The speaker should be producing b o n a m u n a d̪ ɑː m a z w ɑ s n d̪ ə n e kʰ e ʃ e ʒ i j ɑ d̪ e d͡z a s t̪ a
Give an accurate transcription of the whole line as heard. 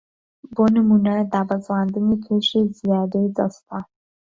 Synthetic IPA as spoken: b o n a m u n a d̪ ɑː b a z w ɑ n d̪ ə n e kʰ e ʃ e z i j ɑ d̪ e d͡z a s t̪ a